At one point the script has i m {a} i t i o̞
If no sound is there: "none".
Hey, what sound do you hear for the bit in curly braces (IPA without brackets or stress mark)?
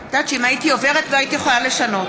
a